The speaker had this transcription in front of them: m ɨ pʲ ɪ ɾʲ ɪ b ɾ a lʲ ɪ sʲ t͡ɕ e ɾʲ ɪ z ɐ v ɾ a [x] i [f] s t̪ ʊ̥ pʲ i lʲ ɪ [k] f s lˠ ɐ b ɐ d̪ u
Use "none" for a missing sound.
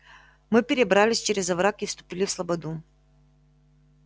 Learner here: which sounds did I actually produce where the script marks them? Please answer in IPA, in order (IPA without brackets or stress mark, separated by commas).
k, f, none